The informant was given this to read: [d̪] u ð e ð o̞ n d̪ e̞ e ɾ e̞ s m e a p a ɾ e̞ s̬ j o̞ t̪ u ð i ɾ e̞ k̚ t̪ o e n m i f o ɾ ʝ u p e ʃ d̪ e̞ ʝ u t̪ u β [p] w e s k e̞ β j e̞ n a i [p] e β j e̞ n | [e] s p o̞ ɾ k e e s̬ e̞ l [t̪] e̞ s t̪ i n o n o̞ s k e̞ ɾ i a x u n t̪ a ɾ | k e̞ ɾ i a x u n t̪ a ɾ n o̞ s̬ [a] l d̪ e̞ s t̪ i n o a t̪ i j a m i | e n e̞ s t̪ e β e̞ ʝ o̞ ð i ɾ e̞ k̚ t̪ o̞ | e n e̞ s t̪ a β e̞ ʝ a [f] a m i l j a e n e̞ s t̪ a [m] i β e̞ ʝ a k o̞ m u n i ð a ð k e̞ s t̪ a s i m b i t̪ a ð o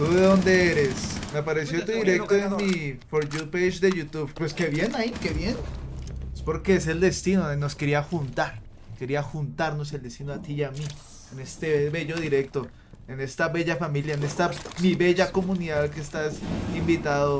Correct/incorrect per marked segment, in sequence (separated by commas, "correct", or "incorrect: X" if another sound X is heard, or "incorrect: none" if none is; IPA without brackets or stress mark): incorrect: t̪, correct, incorrect: k, correct, incorrect: d̪, incorrect: e, correct, correct